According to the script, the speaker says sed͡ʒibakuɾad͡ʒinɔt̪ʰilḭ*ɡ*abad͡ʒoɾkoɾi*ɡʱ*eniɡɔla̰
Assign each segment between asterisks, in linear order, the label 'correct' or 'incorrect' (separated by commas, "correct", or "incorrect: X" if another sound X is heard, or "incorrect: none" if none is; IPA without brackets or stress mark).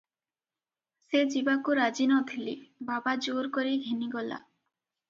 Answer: incorrect: b, correct